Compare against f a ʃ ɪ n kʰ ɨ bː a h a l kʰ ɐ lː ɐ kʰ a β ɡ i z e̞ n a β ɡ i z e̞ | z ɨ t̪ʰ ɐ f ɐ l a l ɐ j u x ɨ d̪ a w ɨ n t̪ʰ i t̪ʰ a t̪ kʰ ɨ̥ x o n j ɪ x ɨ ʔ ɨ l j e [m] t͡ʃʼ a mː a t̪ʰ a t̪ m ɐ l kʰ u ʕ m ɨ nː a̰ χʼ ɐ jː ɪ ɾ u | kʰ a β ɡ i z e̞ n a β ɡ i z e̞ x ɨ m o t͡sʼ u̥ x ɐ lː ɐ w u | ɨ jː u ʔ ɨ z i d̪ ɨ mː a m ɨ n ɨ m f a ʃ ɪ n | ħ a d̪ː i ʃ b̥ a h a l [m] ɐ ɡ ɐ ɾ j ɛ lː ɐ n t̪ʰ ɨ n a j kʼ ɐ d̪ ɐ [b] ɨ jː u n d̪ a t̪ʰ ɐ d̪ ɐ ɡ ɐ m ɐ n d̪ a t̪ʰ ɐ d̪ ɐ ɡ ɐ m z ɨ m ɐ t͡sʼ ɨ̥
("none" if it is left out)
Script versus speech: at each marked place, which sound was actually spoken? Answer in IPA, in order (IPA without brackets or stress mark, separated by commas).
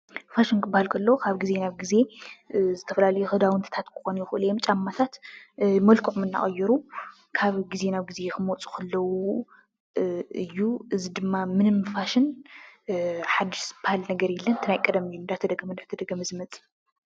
m, n, m